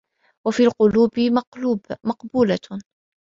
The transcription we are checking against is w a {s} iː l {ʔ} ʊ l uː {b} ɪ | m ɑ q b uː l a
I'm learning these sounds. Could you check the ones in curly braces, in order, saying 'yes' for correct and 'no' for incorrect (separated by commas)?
no, no, yes